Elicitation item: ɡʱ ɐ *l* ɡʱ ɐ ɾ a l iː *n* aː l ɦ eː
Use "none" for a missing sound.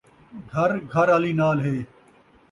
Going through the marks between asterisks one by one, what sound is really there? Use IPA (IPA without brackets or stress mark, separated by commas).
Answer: ɾ, n